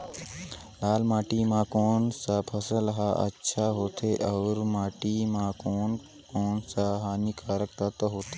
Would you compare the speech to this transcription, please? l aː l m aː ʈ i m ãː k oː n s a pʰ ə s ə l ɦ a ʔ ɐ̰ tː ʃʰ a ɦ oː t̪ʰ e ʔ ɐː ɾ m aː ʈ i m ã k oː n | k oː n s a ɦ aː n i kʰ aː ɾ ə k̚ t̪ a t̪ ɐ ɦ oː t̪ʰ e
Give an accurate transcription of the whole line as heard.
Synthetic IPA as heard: l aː l m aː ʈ i m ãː k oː n s a pʰ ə s ə l ɦ a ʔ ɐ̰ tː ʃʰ a ɦ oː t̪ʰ e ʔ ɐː ɾ m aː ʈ i m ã k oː n | k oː n s a ɦ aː n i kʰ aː ɾ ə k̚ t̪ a t̪ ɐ ɦ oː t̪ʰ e